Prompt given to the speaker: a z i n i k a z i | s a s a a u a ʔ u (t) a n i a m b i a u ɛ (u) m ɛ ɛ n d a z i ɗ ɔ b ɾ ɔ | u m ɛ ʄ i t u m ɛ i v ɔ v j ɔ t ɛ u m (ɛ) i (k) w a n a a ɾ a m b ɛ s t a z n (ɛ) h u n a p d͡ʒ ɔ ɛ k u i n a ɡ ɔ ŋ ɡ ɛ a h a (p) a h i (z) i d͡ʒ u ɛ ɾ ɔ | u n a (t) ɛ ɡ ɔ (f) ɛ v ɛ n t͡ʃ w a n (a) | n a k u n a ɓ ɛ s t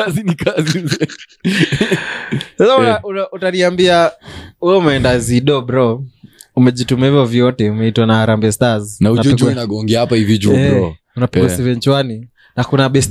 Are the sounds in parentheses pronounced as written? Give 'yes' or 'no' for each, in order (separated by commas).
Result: yes, yes, yes, no, no, yes, no, no, no, no